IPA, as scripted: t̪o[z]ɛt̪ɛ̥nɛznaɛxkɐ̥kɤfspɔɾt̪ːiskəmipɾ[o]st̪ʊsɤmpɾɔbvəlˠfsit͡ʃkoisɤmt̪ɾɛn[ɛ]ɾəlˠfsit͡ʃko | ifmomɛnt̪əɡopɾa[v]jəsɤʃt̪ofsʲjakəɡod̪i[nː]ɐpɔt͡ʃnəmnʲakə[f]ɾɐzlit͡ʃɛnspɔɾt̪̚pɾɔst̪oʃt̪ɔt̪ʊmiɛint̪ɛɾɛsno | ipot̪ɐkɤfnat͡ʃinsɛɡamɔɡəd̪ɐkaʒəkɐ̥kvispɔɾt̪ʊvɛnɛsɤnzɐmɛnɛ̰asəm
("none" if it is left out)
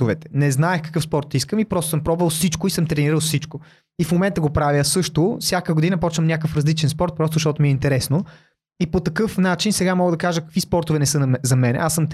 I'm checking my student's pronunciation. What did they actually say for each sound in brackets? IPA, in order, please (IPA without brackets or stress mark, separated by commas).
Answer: v, ɔ, i, v, n, f